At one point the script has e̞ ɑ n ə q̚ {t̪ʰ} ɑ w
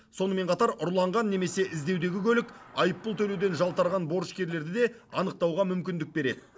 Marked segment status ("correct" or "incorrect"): incorrect